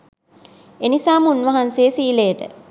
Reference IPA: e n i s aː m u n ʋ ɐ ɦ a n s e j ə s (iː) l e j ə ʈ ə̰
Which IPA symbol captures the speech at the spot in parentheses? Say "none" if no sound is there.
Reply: iː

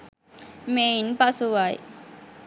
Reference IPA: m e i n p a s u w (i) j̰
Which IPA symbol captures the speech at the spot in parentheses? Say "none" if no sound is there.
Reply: a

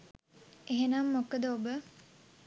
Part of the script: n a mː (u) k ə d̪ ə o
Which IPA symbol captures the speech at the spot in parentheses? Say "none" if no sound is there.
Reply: o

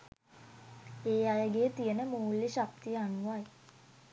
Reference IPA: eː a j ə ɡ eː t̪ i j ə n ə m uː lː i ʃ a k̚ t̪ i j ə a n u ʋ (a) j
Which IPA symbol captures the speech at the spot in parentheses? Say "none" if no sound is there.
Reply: a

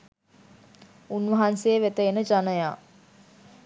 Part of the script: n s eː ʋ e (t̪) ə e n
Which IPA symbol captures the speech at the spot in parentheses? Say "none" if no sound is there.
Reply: t̪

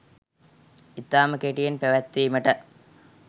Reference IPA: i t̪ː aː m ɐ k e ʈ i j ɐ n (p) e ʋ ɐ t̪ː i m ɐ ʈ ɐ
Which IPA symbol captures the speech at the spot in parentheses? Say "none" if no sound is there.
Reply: p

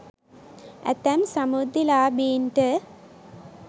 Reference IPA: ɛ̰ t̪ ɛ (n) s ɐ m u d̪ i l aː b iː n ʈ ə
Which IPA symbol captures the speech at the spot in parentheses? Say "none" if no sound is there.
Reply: m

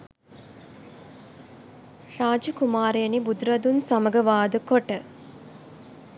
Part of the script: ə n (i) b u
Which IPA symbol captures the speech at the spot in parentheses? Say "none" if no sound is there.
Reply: i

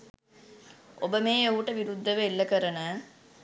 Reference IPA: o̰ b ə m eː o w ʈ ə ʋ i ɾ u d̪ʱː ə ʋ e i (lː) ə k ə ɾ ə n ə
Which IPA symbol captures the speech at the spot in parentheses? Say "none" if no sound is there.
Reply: lː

